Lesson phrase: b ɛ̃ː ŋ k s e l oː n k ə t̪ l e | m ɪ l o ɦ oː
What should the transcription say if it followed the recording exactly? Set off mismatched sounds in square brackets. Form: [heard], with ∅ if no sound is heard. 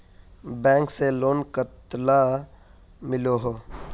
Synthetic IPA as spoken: b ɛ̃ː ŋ k s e l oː n k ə t̪ l [a] | m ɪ l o ɦ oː